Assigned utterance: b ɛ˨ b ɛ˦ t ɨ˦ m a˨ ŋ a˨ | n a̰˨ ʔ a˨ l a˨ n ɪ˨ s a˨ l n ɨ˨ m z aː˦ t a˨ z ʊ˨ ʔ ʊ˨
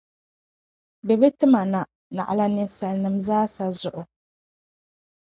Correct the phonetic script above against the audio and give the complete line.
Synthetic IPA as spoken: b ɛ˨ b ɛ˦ t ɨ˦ m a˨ n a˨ | n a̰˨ ʔ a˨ l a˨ n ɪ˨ s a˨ l n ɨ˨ m z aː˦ s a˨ z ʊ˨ ʔ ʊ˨